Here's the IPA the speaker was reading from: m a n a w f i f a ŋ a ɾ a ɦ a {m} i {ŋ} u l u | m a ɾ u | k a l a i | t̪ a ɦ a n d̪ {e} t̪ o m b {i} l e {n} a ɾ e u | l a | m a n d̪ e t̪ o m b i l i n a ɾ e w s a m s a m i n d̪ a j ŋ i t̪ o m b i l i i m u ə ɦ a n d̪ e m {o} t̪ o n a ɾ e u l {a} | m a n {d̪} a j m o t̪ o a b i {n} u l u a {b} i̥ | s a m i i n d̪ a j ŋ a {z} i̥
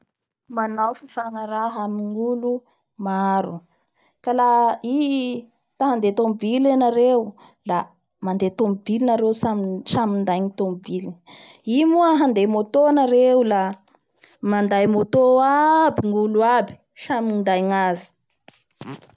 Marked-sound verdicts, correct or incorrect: correct, correct, correct, correct, correct, correct, correct, correct, incorrect: ŋ, correct, correct

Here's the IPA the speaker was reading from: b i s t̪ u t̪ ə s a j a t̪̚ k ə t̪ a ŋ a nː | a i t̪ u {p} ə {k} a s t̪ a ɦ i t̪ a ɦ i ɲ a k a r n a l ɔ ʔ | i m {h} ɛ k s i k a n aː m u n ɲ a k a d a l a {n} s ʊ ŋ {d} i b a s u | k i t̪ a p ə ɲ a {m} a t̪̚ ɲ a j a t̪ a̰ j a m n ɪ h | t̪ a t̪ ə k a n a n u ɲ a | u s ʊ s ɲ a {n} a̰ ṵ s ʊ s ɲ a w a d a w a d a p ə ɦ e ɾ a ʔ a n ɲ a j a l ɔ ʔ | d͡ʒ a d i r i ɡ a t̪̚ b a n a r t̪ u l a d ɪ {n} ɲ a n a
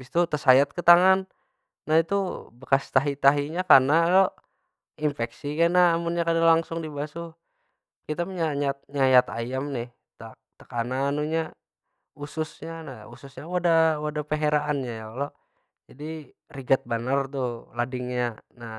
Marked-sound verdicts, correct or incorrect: incorrect: b, correct, incorrect: f, incorrect: ŋ, correct, incorrect: ɲ, correct, incorrect: ŋ

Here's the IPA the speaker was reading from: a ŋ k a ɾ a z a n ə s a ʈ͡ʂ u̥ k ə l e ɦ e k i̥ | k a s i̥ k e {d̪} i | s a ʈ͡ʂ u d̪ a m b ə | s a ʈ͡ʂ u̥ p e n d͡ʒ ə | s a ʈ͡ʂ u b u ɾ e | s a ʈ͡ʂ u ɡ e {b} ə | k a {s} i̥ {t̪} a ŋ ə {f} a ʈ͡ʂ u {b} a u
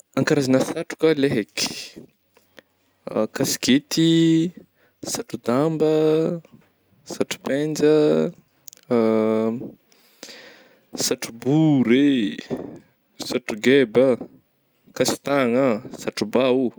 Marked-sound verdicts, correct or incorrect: incorrect: t̪, correct, correct, correct, incorrect: s, correct

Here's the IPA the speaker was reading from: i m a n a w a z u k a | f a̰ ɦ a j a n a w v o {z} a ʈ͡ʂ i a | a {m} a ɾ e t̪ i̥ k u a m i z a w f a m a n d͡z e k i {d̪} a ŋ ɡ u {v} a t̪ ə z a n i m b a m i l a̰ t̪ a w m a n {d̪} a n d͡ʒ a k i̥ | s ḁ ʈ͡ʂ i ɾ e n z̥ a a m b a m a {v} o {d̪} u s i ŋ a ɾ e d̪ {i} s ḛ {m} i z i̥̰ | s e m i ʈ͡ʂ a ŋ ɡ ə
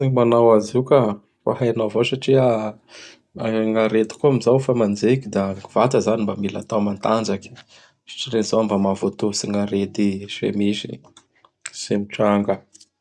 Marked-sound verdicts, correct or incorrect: incorrect: s, incorrect: ŋ, correct, correct, incorrect: t̪, correct, incorrect: t̪, correct, correct

